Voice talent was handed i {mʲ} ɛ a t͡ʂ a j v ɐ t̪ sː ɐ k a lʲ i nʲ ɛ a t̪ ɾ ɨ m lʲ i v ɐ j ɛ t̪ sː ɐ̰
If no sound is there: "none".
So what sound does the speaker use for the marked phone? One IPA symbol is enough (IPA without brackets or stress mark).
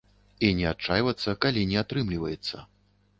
nʲ